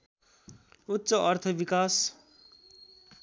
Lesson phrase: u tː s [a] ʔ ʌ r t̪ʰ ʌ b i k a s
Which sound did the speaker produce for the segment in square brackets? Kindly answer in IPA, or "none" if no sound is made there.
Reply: ʌ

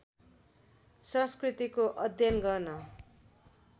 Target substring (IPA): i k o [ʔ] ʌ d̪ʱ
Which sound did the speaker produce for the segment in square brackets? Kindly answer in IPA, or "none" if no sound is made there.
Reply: ʔ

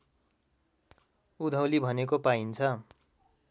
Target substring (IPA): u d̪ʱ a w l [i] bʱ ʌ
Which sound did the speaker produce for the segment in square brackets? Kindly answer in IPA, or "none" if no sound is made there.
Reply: i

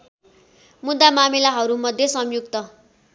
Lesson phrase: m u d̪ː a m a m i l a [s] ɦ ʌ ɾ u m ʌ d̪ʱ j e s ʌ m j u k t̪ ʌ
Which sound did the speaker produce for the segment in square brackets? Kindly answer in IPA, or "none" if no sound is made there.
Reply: none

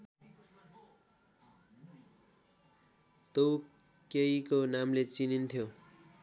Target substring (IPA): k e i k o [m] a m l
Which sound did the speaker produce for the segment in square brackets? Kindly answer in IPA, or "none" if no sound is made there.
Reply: n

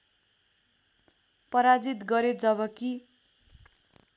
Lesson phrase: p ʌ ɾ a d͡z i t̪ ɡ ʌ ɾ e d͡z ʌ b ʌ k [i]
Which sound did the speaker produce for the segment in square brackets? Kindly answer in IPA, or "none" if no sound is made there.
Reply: i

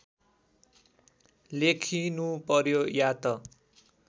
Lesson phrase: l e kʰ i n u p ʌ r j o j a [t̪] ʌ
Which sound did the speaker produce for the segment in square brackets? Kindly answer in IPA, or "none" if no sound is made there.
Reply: t̪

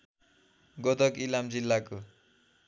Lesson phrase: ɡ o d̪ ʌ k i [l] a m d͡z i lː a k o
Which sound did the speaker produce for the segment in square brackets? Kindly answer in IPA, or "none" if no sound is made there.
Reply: l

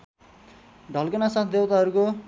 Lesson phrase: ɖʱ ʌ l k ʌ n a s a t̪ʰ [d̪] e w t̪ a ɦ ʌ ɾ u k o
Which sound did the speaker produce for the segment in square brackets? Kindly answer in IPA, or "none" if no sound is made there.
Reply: d̪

